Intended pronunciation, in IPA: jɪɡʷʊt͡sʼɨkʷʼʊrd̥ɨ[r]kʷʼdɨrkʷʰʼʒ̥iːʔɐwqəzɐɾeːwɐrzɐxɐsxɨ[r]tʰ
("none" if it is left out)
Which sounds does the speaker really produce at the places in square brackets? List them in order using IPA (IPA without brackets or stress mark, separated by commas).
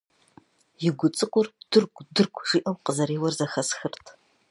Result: r, r